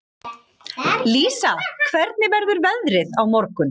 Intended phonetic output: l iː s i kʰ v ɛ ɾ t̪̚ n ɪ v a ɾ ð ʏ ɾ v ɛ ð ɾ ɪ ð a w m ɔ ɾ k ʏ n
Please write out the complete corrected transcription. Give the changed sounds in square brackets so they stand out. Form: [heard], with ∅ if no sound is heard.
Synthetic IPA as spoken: l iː s [a] kʰ v ɛ ɾ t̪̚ n ɪ v [ɛ] ɾ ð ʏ ɾ v ɛ ð ɾ ɪ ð a w m ɔ ɾ k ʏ n